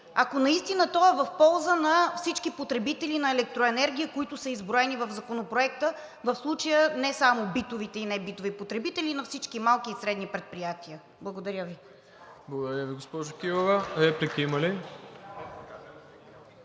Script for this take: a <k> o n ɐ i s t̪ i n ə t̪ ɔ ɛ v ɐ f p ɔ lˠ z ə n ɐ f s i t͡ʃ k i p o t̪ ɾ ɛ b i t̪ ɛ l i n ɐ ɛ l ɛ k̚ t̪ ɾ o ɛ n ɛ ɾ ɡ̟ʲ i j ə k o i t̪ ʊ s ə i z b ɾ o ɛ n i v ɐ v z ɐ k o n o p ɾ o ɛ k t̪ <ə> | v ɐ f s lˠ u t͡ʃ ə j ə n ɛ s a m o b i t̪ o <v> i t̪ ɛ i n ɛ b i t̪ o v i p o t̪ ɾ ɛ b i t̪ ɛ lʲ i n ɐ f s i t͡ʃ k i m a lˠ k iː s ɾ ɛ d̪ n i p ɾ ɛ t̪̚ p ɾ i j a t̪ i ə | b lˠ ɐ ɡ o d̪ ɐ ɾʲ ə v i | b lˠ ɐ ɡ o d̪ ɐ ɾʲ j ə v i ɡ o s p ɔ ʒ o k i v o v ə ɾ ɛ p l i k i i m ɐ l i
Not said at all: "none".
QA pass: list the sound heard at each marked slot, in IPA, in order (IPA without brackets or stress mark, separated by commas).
k, ə, v